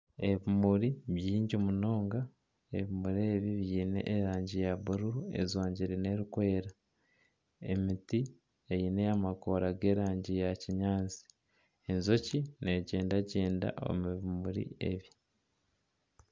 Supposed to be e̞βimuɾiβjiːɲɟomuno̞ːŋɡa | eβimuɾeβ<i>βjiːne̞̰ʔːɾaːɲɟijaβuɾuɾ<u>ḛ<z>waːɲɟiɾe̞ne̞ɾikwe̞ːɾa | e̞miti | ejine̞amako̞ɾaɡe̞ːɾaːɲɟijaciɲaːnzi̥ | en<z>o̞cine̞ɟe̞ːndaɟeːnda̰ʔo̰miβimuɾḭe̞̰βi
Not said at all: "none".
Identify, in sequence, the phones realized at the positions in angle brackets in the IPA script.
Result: i, u, z, z

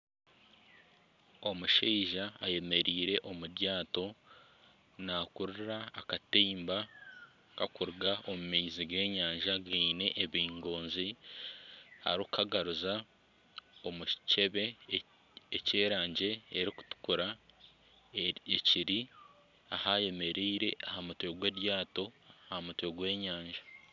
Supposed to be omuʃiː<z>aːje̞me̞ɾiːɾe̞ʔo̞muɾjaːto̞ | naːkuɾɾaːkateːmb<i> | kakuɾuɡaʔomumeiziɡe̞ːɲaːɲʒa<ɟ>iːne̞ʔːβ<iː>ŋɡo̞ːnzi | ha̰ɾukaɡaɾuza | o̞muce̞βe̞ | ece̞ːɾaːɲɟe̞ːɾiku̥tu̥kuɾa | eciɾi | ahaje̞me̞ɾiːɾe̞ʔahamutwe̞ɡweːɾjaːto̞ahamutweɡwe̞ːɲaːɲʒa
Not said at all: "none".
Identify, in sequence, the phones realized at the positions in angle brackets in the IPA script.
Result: ʒ, a, ɡ, iː

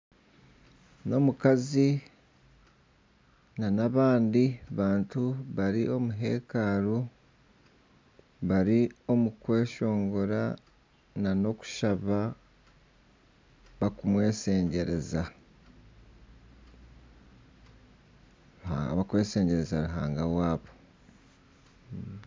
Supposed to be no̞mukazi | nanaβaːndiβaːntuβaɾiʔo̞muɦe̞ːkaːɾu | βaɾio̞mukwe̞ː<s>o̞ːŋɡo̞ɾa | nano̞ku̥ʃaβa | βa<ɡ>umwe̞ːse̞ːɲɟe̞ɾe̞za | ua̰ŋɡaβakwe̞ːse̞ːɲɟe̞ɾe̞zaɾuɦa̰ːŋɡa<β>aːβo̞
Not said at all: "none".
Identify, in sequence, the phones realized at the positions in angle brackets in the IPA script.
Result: ʃ, k, w

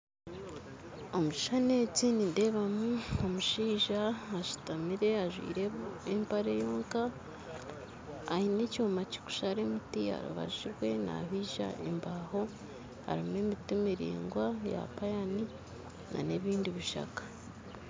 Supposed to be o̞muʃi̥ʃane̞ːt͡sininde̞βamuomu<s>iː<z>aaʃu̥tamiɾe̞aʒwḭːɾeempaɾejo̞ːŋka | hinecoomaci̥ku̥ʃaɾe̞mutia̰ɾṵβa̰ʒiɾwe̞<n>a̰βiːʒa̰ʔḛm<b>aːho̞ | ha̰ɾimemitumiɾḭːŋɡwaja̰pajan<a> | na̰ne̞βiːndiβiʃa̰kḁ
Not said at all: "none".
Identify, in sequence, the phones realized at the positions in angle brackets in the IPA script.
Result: ʃ, ʒ, n, b, i

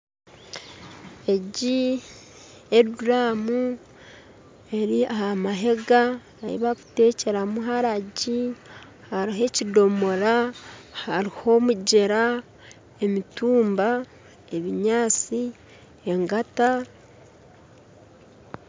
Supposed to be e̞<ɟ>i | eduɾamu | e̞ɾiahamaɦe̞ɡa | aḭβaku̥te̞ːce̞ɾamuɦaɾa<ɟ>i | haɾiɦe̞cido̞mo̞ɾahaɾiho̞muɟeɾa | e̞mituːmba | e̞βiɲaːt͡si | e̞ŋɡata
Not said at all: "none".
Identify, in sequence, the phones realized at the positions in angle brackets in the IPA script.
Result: ɟ, ɟ

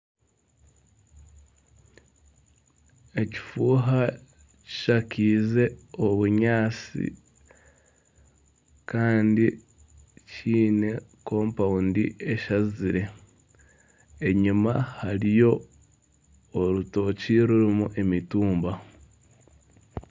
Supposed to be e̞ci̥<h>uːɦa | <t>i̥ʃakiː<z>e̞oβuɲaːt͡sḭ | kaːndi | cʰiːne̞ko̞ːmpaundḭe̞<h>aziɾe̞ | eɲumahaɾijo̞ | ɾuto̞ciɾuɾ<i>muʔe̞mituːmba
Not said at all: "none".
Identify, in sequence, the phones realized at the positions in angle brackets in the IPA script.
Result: f, c, z, ʃ, i

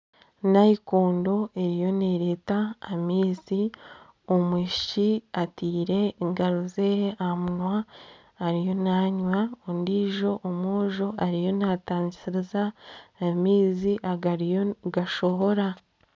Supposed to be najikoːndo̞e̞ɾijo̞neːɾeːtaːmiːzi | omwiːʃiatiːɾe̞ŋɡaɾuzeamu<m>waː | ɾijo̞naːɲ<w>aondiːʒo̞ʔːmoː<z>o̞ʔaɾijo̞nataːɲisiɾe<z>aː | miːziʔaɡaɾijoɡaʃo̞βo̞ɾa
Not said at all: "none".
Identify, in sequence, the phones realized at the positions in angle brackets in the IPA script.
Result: n, w, ʒ, z

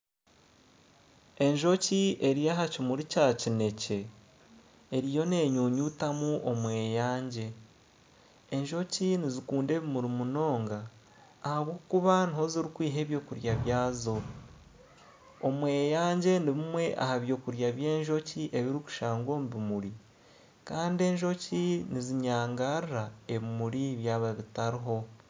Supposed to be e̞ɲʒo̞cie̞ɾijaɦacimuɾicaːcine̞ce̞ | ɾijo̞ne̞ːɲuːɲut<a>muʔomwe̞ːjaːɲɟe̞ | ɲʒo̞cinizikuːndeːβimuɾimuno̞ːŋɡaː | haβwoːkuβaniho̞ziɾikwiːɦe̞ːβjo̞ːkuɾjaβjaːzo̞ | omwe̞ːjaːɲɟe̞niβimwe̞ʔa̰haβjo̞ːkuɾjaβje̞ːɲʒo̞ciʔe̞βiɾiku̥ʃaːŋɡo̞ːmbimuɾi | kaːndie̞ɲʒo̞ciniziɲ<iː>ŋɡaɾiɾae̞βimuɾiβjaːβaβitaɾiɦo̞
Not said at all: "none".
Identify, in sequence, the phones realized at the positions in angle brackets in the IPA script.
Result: a, aː

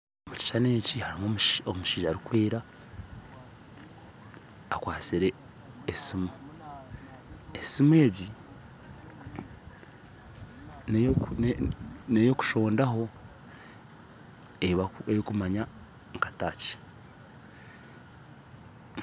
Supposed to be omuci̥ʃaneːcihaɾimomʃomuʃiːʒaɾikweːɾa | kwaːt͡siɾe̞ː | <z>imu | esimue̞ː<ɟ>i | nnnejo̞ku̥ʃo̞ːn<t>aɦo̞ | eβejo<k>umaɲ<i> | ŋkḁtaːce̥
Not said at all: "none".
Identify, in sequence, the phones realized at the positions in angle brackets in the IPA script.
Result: s, ɟ, d, k, a

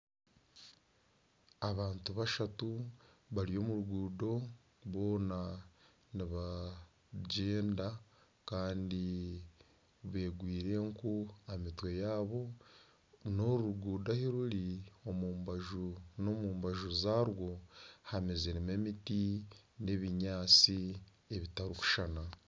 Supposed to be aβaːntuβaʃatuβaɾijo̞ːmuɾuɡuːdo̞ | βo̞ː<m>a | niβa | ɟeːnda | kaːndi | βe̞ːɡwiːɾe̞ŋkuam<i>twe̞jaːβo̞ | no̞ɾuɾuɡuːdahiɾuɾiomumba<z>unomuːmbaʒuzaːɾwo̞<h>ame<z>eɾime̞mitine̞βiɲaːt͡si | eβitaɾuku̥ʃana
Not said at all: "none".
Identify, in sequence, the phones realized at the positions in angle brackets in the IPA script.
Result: n, i, ʒ, h, z

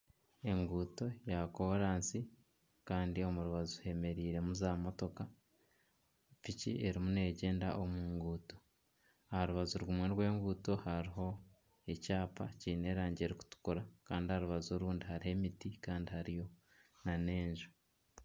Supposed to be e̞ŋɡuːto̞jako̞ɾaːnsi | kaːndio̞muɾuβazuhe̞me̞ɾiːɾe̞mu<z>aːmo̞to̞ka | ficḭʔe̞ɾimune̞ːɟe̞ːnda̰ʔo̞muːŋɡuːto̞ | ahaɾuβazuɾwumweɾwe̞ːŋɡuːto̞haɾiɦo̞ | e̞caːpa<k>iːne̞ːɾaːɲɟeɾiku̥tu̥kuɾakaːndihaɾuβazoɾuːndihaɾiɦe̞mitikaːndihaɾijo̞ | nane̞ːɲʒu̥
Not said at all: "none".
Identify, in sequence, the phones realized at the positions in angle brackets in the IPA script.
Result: z, c

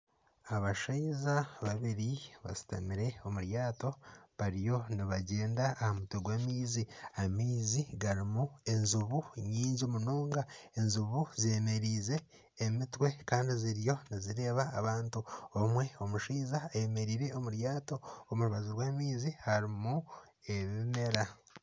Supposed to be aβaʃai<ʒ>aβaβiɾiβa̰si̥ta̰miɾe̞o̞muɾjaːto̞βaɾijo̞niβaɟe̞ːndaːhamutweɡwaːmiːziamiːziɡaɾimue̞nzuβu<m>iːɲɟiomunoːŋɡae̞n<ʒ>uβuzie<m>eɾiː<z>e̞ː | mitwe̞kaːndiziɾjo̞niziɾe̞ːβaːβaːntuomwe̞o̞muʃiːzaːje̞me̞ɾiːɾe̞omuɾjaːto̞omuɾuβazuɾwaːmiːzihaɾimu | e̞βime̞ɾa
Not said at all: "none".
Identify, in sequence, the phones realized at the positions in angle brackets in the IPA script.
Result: z, ɲ, z, m, z

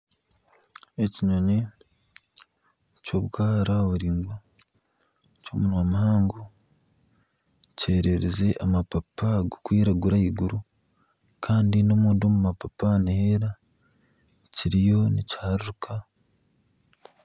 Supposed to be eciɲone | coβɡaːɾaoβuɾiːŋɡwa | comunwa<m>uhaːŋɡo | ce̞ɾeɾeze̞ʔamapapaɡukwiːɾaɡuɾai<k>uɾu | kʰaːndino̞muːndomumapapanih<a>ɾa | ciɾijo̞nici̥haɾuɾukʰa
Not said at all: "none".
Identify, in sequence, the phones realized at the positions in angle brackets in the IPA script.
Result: m, ɡ, e

